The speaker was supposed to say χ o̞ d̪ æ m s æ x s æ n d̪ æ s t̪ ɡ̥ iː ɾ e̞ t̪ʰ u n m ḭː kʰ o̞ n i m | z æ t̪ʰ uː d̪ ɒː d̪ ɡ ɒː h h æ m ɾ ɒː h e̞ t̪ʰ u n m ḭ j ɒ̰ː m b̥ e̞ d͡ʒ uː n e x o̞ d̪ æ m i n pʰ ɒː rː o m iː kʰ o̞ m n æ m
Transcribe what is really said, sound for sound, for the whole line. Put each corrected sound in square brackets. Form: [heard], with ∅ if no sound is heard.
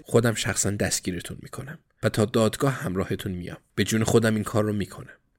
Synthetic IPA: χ o̞ d̪ æ m [ʃ] æ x s æ n d̪ æ s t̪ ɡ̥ iː ɾ e̞ t̪ʰ u n m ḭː kʰ o̞ n [æ] m | [v] æ t̪ʰ [ɒː] d̪ ɒː d̪ ɡ ɒː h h æ m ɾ ɒː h e̞ t̪ʰ u n m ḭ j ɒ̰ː m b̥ e̞ d͡ʒ uː n e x o̞ d̪ æ m i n [kʰ] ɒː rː o m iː kʰ o̞ [∅] n æ m